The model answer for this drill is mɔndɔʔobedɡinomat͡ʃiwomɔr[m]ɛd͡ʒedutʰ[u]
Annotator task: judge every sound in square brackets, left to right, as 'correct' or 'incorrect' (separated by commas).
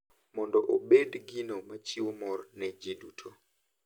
incorrect, incorrect